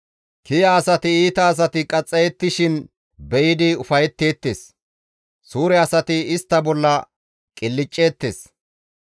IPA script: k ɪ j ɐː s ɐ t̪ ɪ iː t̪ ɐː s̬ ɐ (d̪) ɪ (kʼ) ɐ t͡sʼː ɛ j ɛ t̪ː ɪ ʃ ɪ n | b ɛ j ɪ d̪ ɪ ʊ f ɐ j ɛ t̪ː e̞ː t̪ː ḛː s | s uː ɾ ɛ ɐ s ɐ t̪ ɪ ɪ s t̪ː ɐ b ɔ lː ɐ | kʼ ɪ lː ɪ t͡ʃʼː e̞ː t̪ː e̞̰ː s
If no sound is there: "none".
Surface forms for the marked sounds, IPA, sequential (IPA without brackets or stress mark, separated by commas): t̪, kʼ